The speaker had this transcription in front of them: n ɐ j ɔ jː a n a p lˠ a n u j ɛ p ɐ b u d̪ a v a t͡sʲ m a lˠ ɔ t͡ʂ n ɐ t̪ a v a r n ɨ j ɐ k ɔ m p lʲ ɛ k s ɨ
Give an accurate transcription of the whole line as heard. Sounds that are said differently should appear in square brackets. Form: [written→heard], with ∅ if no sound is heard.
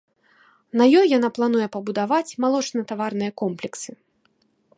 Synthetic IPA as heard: n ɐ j ɔ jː a n a p lˠ a n u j ɛ p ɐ b u d̪ a v a t͡sʲ m a lˠ ɔ t͡ʂ n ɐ t̪ a v a r n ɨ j ɐ k ɔ m p lʲ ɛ k s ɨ